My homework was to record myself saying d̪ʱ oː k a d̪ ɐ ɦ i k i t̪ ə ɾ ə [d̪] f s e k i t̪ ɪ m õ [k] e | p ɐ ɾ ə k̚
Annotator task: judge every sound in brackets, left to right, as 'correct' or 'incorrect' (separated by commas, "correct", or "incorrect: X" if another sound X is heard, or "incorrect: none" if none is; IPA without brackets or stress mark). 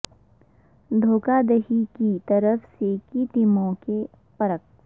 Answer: incorrect: none, correct